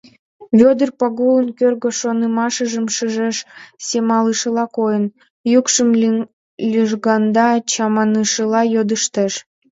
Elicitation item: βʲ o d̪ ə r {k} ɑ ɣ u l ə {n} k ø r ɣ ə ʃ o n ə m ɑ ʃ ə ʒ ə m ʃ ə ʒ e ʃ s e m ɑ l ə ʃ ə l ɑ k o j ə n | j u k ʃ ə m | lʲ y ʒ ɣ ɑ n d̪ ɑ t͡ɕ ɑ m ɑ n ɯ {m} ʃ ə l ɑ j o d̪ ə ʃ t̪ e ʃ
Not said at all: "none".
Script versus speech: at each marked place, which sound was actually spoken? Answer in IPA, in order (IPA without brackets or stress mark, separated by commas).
p, n, none